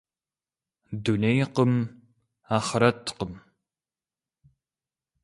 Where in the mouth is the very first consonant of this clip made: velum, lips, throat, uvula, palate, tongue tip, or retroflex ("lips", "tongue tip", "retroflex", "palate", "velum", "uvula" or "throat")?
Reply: tongue tip